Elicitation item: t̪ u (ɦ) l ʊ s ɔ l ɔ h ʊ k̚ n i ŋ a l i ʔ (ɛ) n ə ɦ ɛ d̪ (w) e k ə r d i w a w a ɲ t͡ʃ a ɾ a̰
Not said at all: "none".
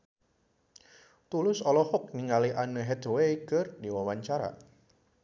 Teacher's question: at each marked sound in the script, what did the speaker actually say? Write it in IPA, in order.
none, a, w

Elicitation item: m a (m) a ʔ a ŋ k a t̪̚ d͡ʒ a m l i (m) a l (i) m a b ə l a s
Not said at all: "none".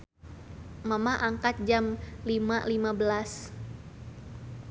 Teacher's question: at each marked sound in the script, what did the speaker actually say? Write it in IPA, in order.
m, m, i

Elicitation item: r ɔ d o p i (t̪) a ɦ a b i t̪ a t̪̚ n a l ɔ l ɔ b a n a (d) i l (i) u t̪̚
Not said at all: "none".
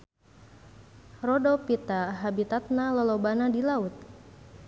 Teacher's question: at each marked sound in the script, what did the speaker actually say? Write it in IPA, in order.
t̪, d, a

